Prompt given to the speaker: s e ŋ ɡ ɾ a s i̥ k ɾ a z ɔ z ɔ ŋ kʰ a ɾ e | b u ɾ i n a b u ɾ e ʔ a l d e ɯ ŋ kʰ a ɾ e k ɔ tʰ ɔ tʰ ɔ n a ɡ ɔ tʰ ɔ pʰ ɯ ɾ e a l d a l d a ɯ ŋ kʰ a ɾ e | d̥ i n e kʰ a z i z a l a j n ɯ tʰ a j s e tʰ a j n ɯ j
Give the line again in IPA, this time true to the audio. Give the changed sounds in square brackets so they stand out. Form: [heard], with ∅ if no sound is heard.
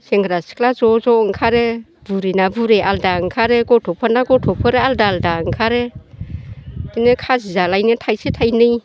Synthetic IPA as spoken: s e ŋ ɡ ɾ a s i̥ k [l] a z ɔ z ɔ ŋ kʰ a ɾ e | b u ɾ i n a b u ɾ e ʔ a l d [a] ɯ ŋ kʰ a ɾ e [ɡ] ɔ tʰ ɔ [pʰ] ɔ n a ɡ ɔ tʰ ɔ pʰ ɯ ɾ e a l d a l d a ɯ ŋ kʰ a ɾ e | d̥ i n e kʰ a z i z a l a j n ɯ tʰ a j s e tʰ a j n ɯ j